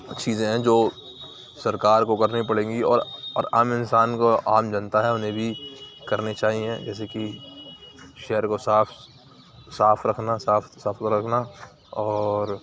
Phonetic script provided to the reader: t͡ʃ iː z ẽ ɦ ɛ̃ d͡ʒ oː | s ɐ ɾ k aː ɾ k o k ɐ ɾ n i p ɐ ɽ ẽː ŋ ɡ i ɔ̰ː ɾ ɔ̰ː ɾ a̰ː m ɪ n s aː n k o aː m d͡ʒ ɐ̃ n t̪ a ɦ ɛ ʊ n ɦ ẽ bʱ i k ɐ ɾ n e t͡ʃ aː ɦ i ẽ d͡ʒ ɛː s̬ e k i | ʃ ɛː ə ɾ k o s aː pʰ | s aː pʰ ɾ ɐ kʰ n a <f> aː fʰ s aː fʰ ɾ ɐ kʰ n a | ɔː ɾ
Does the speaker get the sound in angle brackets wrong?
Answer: yes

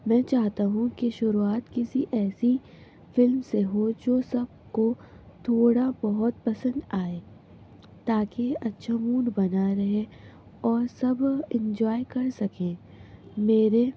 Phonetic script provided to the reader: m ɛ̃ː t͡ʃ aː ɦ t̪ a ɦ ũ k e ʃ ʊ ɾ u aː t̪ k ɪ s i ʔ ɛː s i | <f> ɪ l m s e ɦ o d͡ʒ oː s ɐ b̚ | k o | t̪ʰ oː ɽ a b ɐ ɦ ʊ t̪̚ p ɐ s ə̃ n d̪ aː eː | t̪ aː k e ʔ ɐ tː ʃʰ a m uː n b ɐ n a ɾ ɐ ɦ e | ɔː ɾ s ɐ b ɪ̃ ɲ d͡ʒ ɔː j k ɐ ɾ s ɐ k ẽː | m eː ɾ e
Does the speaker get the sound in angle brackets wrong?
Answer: no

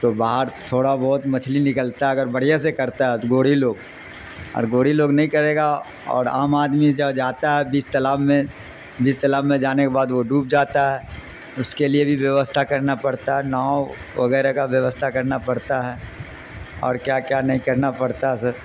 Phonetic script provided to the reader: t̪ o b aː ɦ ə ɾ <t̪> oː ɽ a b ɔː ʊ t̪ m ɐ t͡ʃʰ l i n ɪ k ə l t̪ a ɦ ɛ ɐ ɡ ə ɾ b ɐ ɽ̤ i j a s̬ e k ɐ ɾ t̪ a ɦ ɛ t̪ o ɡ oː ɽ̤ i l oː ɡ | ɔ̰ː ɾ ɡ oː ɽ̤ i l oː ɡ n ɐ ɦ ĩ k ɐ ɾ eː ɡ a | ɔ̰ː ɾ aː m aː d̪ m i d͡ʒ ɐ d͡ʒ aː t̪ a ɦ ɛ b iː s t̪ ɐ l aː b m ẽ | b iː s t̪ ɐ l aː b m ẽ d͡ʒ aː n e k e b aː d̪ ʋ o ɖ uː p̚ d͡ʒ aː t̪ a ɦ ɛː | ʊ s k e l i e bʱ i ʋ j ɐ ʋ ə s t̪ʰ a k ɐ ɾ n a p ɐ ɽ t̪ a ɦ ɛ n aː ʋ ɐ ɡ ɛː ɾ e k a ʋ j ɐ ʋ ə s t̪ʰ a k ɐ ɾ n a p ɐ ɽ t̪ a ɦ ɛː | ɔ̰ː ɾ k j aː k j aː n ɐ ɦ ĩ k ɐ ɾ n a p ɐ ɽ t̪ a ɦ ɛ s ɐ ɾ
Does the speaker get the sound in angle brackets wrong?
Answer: yes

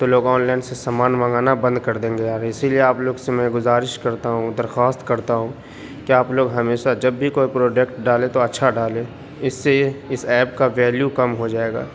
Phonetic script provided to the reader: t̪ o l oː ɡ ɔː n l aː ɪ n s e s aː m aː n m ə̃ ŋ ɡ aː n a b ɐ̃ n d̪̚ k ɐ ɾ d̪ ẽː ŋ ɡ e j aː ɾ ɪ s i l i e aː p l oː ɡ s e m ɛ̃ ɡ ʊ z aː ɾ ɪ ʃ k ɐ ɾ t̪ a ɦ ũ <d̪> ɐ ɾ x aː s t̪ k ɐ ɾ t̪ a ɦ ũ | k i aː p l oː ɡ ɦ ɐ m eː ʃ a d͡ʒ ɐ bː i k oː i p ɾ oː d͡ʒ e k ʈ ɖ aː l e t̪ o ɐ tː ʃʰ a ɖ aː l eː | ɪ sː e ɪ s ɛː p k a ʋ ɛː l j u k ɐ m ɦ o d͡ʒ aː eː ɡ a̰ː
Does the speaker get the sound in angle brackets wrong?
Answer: no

